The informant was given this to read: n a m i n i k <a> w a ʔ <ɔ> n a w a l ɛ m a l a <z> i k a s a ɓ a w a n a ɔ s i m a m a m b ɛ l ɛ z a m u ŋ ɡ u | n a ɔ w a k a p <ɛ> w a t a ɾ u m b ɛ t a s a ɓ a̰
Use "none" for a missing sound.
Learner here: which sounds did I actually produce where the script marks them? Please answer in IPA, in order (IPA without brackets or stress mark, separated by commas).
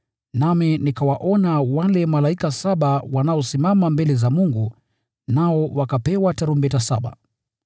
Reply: a, ɔ, none, ɛ